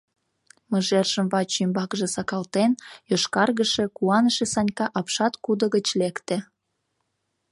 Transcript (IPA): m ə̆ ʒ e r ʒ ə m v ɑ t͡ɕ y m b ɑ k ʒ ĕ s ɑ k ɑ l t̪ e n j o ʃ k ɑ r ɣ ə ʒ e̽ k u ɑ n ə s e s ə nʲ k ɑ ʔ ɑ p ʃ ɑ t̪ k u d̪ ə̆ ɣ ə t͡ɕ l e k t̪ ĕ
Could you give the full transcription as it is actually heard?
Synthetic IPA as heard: m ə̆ ʒ e r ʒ ə m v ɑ t͡ɕ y m b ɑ k ʒ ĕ s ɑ k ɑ l t̪ e n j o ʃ k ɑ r ɣ ə ʃ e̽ k u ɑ n ə ʃ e s ɑ nʲ k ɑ ʔ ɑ p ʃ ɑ t̪ k u d̪ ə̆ ɣ ə t͡ɕ l e k t̪ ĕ